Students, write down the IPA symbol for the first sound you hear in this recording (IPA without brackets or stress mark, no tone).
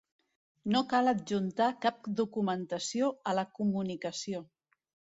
n